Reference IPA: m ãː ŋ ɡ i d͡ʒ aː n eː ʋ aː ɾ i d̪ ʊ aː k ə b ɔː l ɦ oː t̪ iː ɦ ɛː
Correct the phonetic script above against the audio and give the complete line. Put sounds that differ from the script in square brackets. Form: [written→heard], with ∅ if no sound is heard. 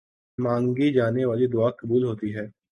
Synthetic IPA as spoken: m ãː ŋ ɡ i d͡ʒ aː n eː ʋ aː [ɾ→l] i d̪ ʊ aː k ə b [ɔː→uː] l ɦ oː t̪ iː ɦ ɛː